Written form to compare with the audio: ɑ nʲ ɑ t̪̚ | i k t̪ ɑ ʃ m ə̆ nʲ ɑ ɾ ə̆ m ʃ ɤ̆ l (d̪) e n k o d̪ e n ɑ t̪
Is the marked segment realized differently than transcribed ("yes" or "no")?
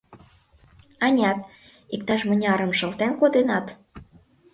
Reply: yes